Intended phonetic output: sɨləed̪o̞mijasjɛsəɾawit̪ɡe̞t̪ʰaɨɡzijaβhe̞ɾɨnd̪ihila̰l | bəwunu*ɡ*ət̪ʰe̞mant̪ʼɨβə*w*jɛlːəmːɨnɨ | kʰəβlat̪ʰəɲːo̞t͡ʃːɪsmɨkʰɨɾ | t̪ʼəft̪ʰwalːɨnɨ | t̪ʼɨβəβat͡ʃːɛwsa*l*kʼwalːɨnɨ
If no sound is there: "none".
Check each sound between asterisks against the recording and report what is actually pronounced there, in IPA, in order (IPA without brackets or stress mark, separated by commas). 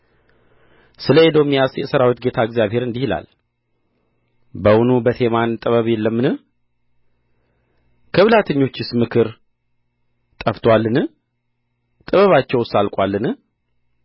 b, β, l